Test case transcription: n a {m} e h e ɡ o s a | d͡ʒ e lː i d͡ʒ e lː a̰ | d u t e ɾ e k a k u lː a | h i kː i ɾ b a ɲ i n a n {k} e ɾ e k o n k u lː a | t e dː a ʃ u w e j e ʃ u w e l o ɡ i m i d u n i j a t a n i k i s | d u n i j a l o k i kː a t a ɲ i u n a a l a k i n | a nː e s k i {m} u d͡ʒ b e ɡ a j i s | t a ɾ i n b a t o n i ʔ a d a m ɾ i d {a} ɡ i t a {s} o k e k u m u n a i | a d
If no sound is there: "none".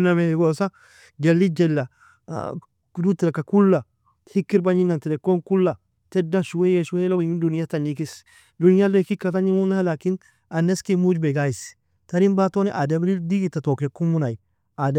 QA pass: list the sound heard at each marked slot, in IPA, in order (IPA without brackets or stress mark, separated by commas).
m, t, m, i, t